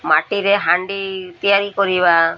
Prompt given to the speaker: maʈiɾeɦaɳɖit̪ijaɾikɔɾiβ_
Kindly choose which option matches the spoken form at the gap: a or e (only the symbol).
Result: a